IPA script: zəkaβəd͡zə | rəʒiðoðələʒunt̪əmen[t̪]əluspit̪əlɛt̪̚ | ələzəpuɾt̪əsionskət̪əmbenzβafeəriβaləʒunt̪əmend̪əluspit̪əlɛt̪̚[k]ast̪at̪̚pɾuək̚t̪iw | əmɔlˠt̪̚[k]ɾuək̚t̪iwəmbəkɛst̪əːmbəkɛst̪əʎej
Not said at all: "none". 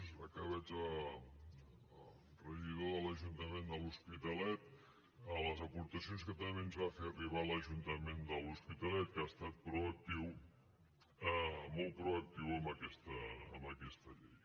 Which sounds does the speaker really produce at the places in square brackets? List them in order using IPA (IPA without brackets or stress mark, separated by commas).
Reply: d̪, k, p